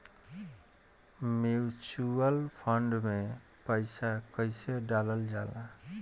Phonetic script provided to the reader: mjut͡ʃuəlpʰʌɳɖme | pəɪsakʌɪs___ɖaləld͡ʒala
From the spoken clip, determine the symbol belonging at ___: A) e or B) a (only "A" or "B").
A